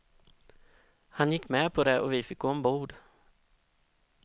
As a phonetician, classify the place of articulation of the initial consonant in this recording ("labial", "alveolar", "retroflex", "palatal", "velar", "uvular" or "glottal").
glottal